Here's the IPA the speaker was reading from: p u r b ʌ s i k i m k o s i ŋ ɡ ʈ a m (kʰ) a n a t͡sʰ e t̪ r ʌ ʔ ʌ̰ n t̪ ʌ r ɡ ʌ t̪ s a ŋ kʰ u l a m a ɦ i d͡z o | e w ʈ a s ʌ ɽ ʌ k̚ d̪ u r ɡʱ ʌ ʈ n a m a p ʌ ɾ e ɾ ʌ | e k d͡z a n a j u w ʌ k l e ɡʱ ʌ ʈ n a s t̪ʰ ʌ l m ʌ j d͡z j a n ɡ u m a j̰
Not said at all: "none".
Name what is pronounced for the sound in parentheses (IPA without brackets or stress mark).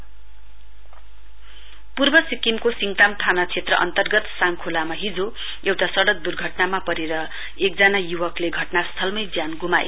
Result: ʈʰ